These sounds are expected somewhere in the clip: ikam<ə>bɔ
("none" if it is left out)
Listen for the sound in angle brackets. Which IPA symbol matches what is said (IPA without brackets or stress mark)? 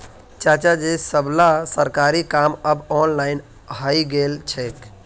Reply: ə